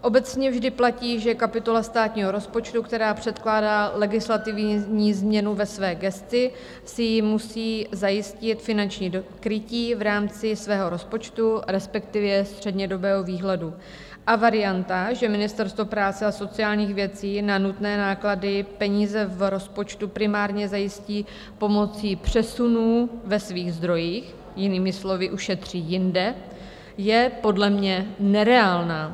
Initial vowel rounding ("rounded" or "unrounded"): rounded